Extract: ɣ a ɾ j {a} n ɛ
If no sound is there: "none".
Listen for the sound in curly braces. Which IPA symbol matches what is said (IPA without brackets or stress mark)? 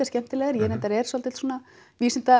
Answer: ɛ